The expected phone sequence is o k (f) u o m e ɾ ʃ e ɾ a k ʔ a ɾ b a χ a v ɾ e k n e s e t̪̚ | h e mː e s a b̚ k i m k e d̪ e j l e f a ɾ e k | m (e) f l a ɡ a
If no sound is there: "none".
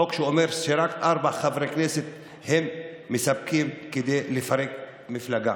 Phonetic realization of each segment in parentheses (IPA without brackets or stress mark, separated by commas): ʃ, i